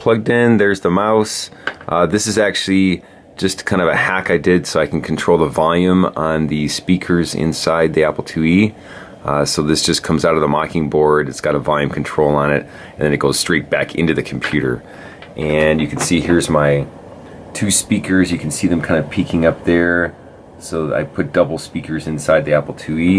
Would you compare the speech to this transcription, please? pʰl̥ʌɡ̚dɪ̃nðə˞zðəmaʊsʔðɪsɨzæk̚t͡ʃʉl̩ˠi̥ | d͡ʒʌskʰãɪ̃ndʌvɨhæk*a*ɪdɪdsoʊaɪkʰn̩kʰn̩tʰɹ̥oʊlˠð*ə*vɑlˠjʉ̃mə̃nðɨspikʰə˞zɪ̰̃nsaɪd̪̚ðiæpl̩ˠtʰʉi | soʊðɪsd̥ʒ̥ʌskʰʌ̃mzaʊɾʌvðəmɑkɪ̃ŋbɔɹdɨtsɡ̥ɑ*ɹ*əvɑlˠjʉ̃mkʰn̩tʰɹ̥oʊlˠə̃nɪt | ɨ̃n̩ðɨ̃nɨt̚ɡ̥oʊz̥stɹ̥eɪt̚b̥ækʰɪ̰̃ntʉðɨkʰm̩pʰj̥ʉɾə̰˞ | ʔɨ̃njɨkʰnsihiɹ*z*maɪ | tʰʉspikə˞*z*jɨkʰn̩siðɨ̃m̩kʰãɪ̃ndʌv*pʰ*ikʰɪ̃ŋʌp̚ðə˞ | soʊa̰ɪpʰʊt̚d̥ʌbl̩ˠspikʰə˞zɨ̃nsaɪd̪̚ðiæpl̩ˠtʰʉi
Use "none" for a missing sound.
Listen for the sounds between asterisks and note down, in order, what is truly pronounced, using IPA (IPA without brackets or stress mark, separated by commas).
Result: a, ə, ɾ, z, z, pʰ